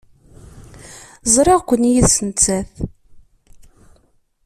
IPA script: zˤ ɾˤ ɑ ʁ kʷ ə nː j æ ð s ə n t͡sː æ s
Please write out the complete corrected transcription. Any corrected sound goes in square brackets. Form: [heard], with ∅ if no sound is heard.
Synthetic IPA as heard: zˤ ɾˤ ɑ ʁ kʷ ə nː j [i] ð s ə n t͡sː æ [θ]